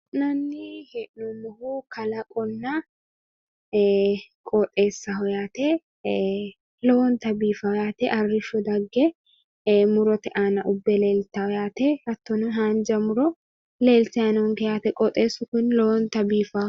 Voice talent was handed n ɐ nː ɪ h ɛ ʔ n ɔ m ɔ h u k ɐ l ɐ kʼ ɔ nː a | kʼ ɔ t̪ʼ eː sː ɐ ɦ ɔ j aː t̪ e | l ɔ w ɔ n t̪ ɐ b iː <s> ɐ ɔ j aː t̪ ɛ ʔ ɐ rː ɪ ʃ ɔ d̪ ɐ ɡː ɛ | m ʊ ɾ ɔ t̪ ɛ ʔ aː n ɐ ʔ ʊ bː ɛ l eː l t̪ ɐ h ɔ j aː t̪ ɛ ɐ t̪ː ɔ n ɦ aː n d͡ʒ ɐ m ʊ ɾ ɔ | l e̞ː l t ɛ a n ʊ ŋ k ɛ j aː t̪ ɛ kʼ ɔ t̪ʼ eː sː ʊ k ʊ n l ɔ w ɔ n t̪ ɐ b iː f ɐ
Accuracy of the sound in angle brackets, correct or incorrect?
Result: incorrect: f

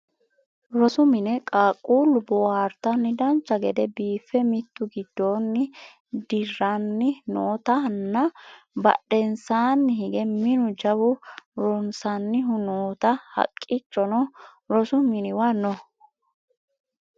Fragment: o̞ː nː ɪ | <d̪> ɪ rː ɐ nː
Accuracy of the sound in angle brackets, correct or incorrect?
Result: correct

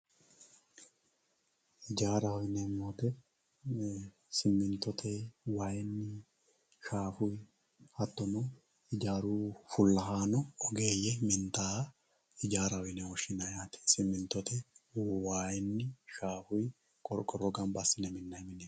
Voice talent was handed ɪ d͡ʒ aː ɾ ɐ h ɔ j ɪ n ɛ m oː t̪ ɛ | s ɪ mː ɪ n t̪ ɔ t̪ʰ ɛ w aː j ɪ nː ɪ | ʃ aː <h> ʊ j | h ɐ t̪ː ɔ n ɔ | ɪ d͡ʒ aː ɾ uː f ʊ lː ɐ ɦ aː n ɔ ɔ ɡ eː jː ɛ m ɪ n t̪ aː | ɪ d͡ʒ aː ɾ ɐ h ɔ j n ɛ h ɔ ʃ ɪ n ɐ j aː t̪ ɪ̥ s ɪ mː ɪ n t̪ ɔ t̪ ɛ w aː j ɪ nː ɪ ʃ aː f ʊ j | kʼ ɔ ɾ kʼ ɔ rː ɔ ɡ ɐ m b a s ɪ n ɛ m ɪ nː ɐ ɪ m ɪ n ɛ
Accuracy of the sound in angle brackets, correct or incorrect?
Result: incorrect: f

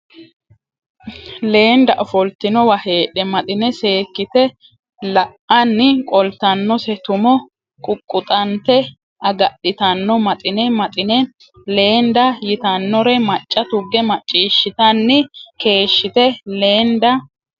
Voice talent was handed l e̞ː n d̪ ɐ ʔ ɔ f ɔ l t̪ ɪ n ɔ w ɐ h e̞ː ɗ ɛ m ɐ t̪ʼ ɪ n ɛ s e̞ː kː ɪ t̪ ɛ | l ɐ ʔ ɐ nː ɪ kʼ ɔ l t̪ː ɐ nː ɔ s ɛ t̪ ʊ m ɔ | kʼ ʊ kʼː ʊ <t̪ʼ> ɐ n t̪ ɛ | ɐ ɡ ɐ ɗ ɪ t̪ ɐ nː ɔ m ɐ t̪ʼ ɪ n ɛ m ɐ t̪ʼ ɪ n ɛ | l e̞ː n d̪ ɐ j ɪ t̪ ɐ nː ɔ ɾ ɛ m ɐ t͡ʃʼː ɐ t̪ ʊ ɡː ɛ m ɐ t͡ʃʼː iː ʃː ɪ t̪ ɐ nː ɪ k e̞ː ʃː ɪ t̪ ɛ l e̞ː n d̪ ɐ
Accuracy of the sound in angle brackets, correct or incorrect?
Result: correct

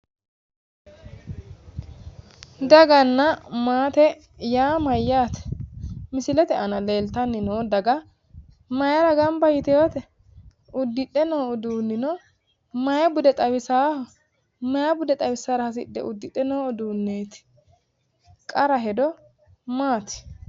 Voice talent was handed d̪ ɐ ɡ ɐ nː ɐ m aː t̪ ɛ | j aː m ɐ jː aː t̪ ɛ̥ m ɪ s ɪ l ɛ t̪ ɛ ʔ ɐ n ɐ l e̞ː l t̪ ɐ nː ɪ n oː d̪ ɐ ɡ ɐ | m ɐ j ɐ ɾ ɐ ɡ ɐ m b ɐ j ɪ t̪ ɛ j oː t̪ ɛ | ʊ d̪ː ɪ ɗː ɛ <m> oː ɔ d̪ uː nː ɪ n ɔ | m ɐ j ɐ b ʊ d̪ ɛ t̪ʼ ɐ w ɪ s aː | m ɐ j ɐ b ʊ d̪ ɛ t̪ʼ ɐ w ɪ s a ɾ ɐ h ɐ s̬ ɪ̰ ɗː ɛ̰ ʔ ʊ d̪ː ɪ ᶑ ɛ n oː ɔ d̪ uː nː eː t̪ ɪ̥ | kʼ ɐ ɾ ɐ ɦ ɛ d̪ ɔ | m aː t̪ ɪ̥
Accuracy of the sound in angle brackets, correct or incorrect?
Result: incorrect: n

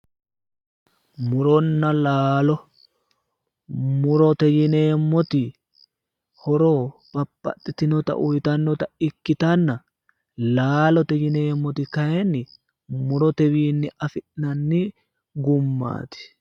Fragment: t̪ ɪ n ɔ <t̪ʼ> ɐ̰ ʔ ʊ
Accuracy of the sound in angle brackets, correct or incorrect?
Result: incorrect: t̪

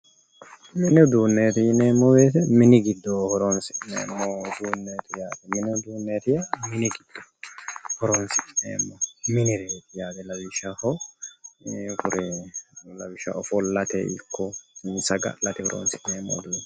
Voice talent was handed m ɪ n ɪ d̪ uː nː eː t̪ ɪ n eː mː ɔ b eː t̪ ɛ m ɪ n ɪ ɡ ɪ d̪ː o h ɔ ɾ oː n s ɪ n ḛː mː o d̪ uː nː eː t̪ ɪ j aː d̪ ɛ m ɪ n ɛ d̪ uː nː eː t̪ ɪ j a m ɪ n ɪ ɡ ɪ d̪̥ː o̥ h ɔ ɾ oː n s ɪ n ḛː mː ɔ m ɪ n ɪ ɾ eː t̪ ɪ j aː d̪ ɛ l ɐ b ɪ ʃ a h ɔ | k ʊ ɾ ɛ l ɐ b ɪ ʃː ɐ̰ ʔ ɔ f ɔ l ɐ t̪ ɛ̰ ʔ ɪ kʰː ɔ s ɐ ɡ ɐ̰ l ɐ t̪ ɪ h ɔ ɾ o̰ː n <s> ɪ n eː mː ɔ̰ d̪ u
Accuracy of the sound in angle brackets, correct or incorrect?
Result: correct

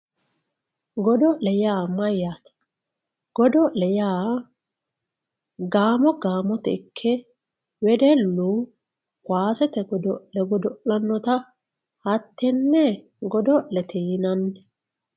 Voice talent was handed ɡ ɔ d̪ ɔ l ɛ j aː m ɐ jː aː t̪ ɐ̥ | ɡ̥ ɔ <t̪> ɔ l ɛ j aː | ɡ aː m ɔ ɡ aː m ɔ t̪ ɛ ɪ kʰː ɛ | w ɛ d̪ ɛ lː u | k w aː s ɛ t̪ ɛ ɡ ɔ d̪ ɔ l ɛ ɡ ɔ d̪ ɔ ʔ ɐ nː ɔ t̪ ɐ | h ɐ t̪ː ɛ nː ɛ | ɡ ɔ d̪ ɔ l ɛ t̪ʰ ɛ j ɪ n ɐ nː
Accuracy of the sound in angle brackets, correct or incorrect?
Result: incorrect: d̪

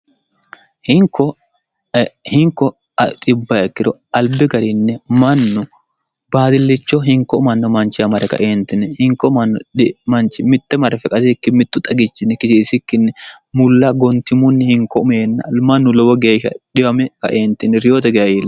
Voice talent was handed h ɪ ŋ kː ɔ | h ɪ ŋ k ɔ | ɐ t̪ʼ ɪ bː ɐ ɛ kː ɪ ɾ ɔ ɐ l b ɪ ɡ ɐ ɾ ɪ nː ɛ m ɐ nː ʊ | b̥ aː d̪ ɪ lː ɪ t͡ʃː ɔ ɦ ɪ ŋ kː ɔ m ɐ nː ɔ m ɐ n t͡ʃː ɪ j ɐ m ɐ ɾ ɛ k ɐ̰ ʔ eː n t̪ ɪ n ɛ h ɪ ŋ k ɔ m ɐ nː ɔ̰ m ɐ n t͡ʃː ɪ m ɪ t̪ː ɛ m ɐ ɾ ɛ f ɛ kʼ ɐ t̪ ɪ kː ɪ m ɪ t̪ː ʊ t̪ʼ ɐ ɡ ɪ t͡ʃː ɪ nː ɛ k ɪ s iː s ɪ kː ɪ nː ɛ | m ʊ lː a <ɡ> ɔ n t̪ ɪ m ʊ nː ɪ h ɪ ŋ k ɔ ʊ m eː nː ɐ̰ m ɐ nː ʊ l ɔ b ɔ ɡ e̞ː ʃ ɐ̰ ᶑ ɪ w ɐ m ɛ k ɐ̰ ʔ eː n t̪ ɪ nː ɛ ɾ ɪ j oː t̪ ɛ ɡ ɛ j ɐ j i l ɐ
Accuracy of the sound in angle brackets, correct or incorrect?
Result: correct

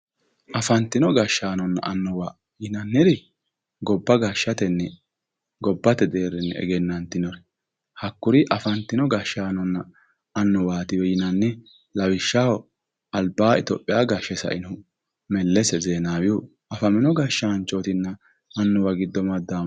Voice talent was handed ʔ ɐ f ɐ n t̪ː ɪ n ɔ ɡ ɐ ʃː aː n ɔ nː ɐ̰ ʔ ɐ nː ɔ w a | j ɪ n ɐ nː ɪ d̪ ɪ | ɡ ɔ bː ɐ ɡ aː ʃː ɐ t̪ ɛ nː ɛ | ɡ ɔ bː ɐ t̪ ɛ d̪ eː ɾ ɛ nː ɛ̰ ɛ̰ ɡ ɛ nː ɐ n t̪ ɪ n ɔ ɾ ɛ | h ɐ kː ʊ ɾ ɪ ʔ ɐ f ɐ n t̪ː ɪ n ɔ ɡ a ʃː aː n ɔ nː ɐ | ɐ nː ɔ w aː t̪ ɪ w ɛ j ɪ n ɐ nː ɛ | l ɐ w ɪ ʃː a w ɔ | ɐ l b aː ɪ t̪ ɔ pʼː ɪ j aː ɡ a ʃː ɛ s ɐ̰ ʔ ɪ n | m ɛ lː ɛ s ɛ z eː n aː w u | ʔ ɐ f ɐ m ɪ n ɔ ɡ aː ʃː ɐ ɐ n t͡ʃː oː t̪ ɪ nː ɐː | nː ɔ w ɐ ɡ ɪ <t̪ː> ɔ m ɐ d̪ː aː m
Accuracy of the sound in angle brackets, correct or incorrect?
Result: incorrect: d̪ː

